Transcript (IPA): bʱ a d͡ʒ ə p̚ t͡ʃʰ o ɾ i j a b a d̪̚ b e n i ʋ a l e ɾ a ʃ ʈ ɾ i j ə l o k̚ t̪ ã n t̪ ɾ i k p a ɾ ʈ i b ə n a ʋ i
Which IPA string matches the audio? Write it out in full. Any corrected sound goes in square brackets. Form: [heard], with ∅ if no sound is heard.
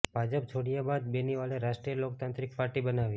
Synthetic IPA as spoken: bʱ a d͡ʒ ə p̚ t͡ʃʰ o [ɽ] i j a b a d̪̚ b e n i ʋ a l e ɾ a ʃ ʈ ɾ i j ə l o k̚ t̪ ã n t̪ ɾ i k p a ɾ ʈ i b ə n a ʋ i